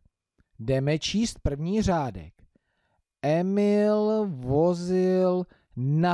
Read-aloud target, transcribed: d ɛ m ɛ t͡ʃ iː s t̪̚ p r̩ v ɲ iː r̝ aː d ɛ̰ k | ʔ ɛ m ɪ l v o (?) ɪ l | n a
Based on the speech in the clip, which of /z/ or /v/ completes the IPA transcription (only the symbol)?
z